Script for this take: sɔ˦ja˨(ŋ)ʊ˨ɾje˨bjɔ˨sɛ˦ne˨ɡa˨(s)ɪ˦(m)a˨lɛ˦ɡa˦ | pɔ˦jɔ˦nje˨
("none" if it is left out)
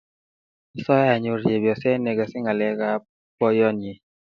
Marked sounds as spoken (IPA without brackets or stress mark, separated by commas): ɲ, s, ŋ